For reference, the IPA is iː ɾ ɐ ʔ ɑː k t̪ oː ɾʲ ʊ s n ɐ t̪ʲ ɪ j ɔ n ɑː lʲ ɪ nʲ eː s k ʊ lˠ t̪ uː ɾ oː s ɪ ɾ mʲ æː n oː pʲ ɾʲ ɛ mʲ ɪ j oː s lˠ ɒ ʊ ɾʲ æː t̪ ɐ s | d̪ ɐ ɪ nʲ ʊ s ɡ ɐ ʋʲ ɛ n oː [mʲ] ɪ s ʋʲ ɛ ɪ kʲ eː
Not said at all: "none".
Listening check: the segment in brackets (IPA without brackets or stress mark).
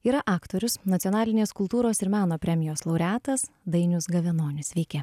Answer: nʲ